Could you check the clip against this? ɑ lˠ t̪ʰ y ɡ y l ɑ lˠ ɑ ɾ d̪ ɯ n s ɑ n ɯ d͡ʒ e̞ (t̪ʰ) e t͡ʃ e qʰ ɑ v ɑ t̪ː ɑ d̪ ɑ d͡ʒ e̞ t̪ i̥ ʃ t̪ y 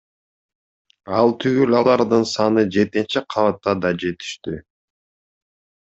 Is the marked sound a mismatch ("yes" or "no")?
yes